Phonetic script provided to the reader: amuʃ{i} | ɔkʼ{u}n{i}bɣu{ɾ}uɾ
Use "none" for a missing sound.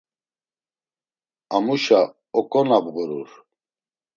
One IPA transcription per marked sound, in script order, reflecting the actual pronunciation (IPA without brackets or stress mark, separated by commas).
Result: a, ɔ, a, ɾ